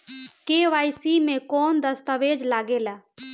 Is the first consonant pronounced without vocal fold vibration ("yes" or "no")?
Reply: yes